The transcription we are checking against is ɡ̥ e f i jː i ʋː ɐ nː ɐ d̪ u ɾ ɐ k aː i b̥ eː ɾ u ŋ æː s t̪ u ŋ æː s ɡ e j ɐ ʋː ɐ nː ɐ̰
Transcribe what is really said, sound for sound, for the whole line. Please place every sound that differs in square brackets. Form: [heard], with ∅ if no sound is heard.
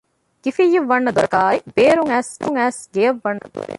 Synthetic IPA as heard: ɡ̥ [i] f i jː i ʋː ɐ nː ɐ d̪ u ɾ ɐ k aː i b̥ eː ɾ u ŋ æː s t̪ u ŋ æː s ɡ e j ɐ ʋː ɐ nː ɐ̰